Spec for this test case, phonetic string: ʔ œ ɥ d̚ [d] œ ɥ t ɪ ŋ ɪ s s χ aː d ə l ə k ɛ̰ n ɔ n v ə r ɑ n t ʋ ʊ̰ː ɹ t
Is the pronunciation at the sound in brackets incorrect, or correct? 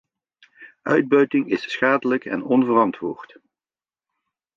incorrect